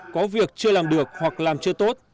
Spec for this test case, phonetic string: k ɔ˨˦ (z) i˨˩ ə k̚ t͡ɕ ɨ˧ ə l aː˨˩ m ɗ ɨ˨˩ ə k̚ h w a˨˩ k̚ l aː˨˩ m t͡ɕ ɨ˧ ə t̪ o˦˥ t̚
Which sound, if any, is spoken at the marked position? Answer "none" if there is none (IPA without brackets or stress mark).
v